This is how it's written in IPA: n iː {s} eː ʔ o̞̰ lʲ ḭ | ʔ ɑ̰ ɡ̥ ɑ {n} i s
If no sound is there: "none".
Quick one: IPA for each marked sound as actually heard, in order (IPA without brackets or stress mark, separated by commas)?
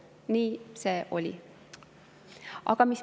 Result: s, m